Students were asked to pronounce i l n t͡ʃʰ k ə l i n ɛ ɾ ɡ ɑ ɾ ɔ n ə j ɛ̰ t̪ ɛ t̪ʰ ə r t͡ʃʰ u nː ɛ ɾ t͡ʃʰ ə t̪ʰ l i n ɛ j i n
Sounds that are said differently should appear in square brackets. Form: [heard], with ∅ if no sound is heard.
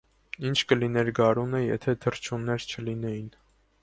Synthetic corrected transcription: i [∅] n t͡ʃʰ k ə l i n ɛ ɾ ɡ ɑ ɾ [u] n ə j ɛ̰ [t̪ʰ] ɛ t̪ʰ ə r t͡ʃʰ u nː ɛ ɾ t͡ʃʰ ə [∅] l i n ɛ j i n